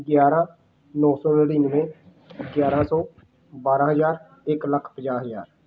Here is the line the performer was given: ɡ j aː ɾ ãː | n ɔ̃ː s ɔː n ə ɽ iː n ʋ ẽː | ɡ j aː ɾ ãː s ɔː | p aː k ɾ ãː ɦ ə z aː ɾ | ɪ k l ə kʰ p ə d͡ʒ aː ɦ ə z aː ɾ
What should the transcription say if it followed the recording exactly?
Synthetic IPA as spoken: ɡ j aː ɾ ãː | n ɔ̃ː s ɔː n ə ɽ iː n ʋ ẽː | ɡ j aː ɾ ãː s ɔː | b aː ɾ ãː ɦ ə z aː ɾ | ɪ k l ə kʰ p ə d͡ʒ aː ɦ ə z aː ɾ